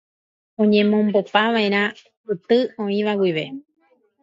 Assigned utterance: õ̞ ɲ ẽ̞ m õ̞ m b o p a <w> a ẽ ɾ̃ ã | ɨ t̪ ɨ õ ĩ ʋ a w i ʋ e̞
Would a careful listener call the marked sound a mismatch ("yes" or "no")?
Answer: yes